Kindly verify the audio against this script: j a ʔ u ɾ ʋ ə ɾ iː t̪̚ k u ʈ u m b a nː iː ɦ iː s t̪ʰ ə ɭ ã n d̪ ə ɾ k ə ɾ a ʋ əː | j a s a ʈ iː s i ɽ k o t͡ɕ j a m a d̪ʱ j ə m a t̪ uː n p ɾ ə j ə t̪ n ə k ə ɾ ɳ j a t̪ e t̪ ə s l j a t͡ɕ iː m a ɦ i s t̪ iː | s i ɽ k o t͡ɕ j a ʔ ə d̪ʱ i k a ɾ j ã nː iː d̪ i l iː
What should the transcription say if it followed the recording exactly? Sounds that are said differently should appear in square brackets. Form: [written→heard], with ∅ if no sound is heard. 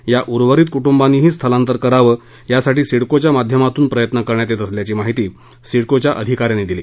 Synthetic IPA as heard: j a ʔ u ɾ ʋ ə ɾ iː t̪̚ k u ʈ u m b a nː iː ɦ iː s t̪ʰ ə [ɭ→l] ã n [d̪→t̪] ə ɾ k ə ɾ a ʋ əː | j a s a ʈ iː s i ɽ k o t͡ɕ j a m a d̪ʱ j ə m a t̪ uː n p ɾ ə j ə t̪ n ə k ə ɾ ɳ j a t̪ e t̪ ə s l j a t͡ɕ iː m a ɦ i [s→∅] t̪ iː | s i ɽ k o t͡ɕ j a ʔ ə d̪ʱ i k a ɾ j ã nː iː d̪ i l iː

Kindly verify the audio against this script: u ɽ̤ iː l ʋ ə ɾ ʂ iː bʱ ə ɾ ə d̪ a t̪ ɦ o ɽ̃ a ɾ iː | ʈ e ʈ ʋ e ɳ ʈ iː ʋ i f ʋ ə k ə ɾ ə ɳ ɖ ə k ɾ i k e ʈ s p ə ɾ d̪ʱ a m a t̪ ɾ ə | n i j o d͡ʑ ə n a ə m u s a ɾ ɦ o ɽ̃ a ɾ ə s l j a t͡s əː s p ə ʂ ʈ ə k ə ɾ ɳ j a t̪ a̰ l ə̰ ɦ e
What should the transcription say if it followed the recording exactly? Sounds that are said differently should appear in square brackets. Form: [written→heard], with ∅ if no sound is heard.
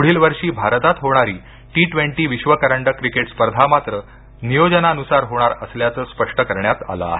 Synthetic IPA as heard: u ɽ̤ iː l ʋ ə ɾ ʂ iː bʱ [ə→a] ɾ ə [d̪→t̪] a t̪ ɦ o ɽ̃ a ɾ iː | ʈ [e→i] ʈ ʋ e ɳ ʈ iː ʋ i [f→ɕ] ʋ ə k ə ɾ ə ɳ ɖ ə k ɾ i k e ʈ s p ə ɾ d̪ʱ a m a t̪ ɾ ə | n i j o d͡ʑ ə n a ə [m→n] u s a ɾ ɦ o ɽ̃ a ɾ ə s l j a t͡s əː s p ə ʂ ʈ ə k ə ɾ ɳ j a t̪ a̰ l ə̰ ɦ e

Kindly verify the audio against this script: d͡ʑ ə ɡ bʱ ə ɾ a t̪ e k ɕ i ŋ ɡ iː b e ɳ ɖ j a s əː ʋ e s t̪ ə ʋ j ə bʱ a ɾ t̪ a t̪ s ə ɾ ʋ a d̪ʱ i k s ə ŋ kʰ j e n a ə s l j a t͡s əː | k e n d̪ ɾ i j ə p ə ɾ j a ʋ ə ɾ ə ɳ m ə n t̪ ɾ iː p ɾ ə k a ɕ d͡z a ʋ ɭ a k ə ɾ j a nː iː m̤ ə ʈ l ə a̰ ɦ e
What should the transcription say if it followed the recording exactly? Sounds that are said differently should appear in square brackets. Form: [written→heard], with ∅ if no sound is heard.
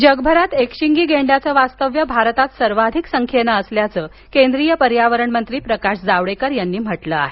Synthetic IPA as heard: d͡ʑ ə ɡ bʱ ə ɾ a t̪ e k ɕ i ŋ ɡ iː [b→ɡ] e ɳ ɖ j a [s→t͡s] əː ʋ [e→a] s t̪ ə ʋ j ə bʱ a ɾ t̪ a t̪ s ə ɾ ʋ a d̪ʱ i k s ə ŋ kʰ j e n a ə s l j a t͡s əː | k e n d̪ ɾ i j ə p ə ɾ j a ʋ ə ɾ ə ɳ m ə n t̪ ɾ iː p ɾ ə k a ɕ d͡z a ʋ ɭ [a→e] k ə ɾ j a nː iː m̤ ə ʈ l ə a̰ ɦ e

